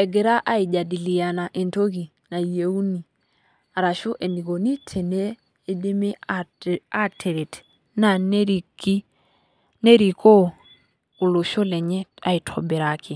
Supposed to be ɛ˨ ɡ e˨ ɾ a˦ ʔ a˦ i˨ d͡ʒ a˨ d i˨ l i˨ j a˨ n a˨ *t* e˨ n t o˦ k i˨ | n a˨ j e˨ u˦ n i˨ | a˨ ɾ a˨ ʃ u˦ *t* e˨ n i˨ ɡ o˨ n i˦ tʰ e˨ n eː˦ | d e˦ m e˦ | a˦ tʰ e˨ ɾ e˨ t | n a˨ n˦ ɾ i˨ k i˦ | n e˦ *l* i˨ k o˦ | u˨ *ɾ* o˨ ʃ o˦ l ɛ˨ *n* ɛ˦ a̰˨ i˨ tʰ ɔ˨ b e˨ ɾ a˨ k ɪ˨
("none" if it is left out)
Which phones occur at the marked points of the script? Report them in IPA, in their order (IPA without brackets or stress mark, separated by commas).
ʔ, ʔ, ɾ, l, ɲ